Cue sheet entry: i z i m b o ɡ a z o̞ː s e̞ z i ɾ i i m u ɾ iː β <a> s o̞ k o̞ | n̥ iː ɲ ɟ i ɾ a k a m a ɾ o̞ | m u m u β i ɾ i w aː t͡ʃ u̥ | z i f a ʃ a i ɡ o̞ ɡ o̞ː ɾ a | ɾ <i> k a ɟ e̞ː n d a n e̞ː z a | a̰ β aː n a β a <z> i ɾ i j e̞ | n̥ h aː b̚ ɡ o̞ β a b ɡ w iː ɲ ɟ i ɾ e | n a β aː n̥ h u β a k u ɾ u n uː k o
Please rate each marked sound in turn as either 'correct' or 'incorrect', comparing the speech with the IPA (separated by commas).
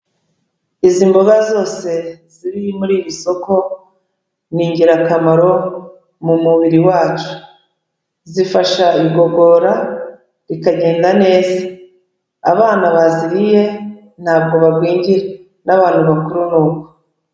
incorrect, correct, correct